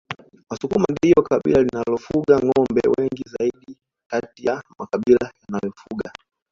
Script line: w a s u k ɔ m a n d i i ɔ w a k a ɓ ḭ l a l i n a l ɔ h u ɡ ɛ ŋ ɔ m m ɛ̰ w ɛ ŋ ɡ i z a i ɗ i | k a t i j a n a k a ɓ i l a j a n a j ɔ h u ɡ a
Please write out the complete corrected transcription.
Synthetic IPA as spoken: w a s u k u m a n d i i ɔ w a k a ɓ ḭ l a l i n a l ɔ f u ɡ a ŋ ɔ m b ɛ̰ w ɛ ŋ ɡ i z a i ɗ i | k a t i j a m a k a ɓ i l a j a n a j ɔ f u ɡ a